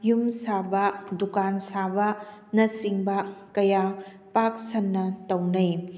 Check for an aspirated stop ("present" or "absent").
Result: absent